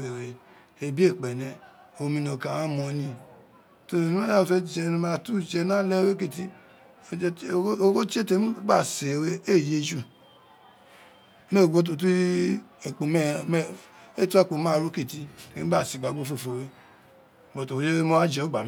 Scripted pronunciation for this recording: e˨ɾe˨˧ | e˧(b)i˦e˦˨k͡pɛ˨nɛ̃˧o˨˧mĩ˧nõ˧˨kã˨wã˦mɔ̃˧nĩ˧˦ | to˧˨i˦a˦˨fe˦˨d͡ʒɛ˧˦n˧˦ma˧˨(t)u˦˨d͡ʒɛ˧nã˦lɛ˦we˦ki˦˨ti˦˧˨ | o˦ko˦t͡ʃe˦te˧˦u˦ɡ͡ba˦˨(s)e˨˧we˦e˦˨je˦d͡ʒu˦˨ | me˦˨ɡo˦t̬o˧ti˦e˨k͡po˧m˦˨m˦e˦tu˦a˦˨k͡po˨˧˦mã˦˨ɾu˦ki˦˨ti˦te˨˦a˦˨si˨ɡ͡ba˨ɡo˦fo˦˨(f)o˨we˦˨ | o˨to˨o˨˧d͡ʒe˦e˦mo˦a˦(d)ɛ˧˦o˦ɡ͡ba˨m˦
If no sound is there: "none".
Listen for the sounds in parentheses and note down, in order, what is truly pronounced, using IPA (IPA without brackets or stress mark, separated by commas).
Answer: b, t, s, f, d͡ʒ